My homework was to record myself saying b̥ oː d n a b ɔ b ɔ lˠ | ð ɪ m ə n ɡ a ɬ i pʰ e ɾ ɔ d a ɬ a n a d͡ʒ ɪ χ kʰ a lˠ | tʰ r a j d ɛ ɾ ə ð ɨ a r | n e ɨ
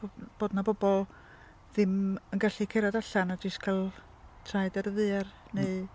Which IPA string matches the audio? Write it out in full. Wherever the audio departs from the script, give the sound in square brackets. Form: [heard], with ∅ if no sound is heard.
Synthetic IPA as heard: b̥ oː d n a b ɔ b ɔ lˠ | ð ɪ m ə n ɡ a ɬ i [kʰ] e ɾ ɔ d a ɬ a n a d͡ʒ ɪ [s] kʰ a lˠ | tʰ r a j d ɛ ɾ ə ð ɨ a r | n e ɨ